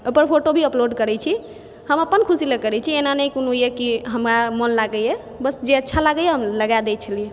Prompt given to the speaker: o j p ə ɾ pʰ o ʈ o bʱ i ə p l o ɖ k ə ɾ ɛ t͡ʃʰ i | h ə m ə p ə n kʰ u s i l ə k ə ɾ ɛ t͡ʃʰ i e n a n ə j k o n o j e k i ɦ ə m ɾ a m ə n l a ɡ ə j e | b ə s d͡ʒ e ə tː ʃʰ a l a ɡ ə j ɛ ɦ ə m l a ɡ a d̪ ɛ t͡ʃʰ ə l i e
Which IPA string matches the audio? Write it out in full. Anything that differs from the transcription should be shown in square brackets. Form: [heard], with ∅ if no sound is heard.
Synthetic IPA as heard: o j p ə ɾ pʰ o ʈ o bʱ i ə p l o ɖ k ə ɾ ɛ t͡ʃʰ i | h ə m ə p ə n kʰ u s i l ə k ə ɾ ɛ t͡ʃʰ i e n a n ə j k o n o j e k i ɦ ə m ɾ a m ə n l a ɡ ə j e | b ə s d͡ʒ e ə tː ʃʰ a l a ɡ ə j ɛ ɦ ə m l [ə] ɡ a d̪ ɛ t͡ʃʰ ə l i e